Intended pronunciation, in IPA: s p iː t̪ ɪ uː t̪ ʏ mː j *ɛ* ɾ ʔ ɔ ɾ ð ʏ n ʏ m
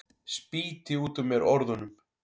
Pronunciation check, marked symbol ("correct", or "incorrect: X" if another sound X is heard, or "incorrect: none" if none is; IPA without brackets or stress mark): correct